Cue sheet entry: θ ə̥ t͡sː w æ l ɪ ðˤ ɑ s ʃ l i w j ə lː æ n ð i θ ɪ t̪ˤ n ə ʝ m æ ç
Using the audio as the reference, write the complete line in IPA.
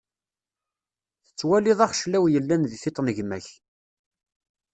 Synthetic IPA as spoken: θ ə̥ t͡sː w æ l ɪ ðˤ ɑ χ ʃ l æ w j ə lː æ n ð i θ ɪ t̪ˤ n ə ʝ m æ ç